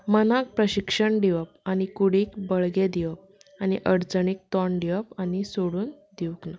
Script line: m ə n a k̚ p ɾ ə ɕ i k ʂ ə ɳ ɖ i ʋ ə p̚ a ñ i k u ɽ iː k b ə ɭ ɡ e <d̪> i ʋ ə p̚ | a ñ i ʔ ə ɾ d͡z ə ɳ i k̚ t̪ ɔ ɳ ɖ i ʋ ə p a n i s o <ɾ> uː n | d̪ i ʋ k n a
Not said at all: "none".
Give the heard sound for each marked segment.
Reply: d̪, ɽ

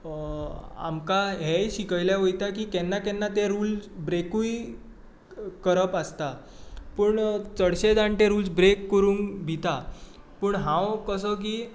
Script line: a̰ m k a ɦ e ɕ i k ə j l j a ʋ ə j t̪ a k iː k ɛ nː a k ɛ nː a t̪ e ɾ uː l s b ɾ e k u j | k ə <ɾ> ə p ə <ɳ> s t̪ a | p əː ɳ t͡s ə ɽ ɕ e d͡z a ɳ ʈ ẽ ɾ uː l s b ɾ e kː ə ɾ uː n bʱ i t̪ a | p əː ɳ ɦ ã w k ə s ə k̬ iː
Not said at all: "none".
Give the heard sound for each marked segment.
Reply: ɾ, none

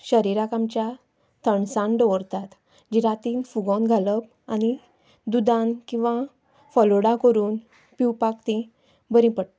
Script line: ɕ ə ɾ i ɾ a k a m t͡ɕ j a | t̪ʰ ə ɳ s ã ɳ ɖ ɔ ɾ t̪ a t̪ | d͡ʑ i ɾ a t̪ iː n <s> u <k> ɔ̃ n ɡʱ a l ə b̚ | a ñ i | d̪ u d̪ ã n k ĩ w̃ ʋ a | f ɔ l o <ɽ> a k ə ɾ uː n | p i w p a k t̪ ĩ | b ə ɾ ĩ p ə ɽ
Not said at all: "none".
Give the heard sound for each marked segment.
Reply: f, ɡ, ɽ

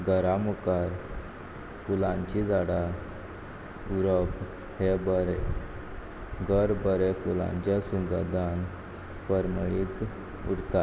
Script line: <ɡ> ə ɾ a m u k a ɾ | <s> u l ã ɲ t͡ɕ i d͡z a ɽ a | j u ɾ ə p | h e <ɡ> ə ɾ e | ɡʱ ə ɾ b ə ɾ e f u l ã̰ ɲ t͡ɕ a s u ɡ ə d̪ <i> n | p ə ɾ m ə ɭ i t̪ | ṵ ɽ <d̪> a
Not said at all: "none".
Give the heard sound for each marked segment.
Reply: ɡ, f, b, a, t̪

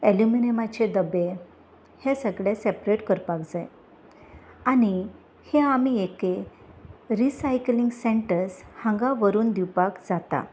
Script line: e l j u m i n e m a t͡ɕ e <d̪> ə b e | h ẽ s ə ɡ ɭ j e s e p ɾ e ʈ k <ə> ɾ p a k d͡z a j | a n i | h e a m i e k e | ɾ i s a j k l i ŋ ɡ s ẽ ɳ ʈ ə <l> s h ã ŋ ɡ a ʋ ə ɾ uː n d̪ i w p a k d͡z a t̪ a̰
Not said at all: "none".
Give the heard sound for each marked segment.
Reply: d̪, ə, ɾ

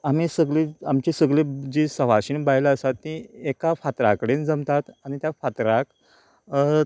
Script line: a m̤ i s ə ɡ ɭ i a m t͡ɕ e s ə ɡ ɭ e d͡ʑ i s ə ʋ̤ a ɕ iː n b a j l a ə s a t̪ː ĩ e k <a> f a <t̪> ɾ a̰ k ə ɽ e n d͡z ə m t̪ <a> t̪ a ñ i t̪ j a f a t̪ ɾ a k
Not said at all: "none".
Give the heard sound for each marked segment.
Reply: a, t̪, a

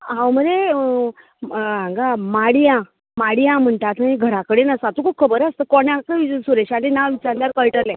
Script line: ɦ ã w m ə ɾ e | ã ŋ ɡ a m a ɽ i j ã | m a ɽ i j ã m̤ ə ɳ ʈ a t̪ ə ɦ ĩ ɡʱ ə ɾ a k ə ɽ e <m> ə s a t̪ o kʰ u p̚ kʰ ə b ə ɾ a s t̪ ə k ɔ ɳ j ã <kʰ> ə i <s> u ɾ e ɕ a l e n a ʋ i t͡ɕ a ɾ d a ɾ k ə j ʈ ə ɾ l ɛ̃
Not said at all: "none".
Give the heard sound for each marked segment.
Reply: n, k, s

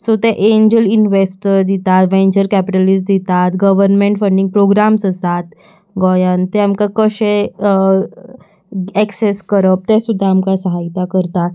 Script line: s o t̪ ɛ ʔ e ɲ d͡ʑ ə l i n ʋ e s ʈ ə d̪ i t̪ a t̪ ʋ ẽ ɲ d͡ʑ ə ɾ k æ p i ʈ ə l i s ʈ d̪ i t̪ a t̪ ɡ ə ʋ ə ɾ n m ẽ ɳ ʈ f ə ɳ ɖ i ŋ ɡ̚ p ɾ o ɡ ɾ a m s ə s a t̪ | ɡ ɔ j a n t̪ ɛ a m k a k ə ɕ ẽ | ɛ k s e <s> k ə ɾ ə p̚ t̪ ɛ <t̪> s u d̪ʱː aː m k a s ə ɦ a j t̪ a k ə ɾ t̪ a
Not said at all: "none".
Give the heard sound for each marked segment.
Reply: s, none

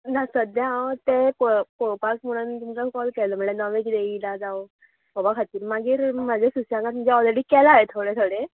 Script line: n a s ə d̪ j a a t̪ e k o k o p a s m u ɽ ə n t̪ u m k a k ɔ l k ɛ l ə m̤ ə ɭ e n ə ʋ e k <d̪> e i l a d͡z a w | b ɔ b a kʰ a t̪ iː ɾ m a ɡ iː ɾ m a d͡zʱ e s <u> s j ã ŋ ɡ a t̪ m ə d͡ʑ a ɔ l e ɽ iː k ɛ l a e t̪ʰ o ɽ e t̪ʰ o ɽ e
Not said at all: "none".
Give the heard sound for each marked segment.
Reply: d̪, u

